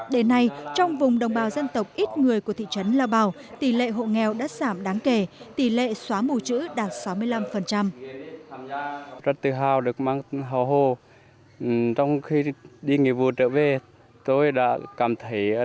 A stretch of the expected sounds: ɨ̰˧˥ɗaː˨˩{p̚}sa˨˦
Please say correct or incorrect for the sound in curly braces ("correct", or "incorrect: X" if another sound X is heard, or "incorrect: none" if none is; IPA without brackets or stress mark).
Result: incorrect: t̚